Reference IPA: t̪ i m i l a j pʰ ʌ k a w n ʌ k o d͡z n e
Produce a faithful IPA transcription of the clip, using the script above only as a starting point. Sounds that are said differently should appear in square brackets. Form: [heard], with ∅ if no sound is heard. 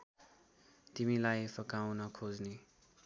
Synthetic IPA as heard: t̪ i m i l a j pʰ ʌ k a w n ʌ [kʰ] o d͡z n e

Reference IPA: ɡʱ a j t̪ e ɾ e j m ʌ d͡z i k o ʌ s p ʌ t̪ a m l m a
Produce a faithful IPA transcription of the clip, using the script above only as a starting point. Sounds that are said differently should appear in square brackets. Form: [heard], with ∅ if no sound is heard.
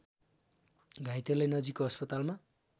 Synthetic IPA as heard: ɡʱ a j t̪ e [l] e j [n] ʌ d͡z i k o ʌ s p ʌ t̪ a [∅] l m a

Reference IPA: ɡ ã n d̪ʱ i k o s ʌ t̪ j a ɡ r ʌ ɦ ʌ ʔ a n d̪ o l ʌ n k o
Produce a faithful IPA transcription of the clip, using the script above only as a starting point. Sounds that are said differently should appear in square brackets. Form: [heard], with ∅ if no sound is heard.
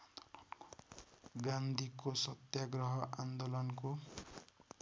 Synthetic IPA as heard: ɡ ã n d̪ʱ i k o s ʌ t̪ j a ɡ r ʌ ɦ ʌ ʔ a n d̪ o l ʌ n k o

